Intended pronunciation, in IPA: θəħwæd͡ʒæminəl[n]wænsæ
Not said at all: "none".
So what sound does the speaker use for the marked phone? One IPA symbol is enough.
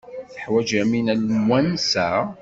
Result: m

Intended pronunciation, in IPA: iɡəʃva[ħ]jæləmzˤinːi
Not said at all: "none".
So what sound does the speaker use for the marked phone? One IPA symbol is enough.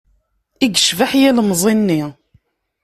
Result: ħ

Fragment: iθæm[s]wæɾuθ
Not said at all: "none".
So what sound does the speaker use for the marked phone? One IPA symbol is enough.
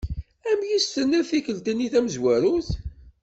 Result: z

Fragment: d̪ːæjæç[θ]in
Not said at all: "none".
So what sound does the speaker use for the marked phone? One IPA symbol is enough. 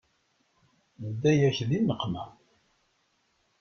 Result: ð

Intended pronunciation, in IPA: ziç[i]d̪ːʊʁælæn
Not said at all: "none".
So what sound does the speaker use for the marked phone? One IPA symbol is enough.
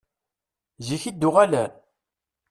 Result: i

